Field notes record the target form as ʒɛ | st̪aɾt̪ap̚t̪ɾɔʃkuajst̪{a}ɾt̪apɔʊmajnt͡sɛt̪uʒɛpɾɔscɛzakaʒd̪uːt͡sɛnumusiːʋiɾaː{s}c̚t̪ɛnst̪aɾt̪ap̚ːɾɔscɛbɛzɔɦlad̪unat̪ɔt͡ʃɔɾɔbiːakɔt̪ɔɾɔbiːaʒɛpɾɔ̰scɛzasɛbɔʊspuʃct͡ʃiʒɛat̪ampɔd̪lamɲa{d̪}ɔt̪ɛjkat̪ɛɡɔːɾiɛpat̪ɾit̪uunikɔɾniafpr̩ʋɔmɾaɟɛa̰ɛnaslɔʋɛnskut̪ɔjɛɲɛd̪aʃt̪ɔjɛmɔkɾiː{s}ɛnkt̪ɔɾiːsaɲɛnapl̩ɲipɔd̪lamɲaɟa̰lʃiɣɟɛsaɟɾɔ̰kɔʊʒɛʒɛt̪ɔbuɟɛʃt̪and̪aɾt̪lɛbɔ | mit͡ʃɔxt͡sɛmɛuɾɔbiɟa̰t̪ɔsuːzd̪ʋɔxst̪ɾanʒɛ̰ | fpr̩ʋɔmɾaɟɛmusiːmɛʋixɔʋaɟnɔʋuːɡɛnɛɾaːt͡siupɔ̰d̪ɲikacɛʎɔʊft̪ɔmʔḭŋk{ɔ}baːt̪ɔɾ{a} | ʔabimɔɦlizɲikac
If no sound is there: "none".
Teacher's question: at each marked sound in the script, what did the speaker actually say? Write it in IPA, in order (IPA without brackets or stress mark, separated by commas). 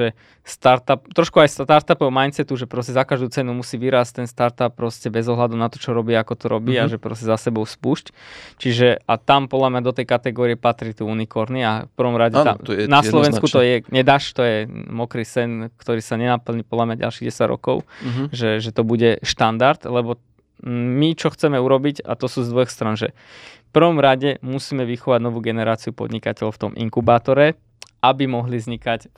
a, s, d̪, s, u, ɛ